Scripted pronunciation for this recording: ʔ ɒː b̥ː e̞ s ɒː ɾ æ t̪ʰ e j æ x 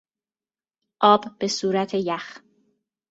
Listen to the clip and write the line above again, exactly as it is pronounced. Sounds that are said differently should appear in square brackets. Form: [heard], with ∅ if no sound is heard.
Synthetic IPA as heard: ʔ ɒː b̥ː e̞ s [uː] ɾ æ t̪ʰ e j æ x